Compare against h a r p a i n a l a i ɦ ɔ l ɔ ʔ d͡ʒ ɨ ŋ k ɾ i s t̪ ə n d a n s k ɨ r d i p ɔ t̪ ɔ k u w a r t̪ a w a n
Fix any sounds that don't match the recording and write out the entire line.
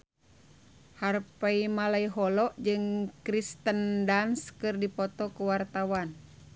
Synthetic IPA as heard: h a r p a i m a l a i ɦ ɔ l ɔ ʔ d͡ʒ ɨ ŋ k ɾ i s t̪ ə n d a n s k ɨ r d i p ɔ t̪ ɔ k u w a r t̪ a w a n